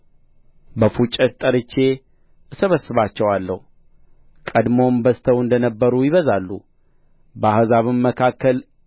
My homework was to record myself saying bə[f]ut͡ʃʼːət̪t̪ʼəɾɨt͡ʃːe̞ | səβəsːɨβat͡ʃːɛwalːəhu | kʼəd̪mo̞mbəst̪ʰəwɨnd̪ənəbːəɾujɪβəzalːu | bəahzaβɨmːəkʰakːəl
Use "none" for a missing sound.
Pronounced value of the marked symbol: f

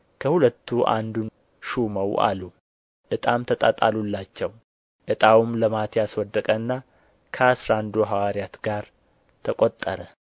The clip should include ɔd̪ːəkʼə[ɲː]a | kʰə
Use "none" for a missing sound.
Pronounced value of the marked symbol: nː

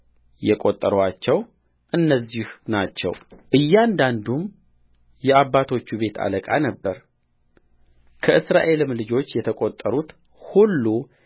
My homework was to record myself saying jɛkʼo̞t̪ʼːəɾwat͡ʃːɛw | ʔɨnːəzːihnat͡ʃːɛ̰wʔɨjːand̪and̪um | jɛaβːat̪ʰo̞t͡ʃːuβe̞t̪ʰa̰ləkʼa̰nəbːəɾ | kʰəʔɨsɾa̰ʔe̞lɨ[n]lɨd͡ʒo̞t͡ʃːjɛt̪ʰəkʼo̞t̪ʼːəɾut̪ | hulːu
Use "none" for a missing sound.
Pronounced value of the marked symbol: m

